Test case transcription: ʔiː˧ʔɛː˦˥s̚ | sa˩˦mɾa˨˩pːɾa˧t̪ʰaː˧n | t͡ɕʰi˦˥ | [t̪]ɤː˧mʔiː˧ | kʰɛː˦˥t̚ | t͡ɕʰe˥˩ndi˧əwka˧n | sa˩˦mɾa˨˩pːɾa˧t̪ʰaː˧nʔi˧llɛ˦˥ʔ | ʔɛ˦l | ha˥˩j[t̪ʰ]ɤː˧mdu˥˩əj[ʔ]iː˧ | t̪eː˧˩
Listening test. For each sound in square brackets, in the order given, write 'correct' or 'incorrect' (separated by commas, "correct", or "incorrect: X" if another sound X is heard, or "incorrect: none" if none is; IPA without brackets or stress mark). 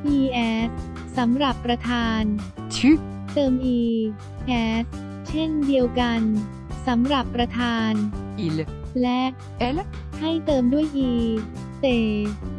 correct, incorrect: t̪, correct